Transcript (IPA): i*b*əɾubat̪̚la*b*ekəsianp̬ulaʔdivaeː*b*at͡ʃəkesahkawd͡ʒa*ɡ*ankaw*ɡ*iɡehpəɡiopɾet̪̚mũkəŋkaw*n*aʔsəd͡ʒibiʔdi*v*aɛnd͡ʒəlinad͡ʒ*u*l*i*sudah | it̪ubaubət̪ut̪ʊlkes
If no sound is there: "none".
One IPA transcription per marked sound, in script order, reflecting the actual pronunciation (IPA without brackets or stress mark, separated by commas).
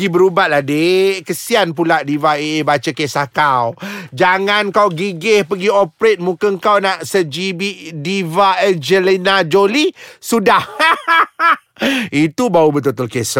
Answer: b, d, b, ŋ, ɡ, n, v, o, i